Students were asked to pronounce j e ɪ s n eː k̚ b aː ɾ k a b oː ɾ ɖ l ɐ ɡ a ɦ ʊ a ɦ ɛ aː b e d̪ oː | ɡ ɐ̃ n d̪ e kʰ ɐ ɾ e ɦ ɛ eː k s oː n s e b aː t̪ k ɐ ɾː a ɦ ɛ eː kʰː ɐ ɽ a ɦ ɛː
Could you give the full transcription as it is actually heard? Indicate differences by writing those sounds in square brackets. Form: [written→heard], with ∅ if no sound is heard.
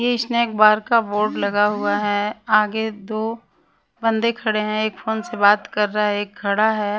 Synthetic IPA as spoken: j e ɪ s n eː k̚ b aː ɾ k a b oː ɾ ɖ l ɐ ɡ a ɦ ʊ a ɦ ɛ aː [b→ɡ] e d̪ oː | [ɡ→b] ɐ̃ n d̪ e kʰ ɐ [ɾ→ɽ] e ɦ [ɛ→ɛ̃] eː k [s→f] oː n s e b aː t̪ k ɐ ɾː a ɦ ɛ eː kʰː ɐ ɽ a ɦ ɛː